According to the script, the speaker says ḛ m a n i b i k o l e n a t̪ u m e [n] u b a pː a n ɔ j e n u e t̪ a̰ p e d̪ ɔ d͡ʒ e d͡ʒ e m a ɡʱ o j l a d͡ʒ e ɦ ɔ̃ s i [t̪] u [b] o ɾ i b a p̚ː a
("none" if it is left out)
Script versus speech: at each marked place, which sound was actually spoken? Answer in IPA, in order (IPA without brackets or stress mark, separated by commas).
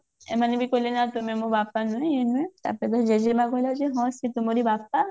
m, t̪, m